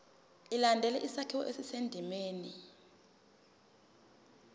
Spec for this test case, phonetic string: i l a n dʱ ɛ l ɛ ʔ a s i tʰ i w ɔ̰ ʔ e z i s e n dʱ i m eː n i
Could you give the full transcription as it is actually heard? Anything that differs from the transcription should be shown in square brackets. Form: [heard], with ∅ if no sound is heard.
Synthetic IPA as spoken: i l a n dʱ ɛ l ɛ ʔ [i] s [a] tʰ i w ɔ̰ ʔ e [s] i s e n dʱ i m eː n i